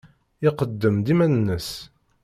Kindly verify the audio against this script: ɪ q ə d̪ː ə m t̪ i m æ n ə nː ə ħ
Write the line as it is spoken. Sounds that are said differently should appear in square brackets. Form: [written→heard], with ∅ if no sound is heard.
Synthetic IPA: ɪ q ə d̪ː ə m [t̪→d̪] i m æ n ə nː ə [ħ→s]